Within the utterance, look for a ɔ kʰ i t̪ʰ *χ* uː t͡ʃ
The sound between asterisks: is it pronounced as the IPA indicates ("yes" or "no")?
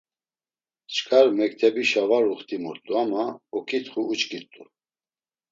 yes